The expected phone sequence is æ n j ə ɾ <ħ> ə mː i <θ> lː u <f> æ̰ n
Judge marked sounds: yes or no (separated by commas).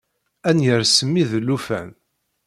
no, no, yes